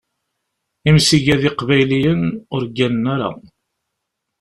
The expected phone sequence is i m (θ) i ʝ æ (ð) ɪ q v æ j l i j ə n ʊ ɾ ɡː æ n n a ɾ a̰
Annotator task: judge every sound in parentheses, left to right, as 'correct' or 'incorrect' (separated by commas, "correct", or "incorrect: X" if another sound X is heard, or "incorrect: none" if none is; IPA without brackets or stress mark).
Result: incorrect: s, correct